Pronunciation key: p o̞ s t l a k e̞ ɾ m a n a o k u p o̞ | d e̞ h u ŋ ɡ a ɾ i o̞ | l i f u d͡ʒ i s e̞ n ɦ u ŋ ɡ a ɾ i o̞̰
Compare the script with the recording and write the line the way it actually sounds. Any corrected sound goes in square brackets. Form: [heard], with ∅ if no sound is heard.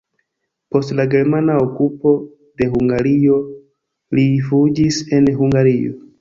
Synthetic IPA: p o̞ s t l a [ɡ] e̞ ɾ m a n a o k u p o̞ | d e̞ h u ŋ ɡ a ɾ i o̞ | l i f u d͡ʒ i s e̞ n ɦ u ŋ ɡ a ɾ i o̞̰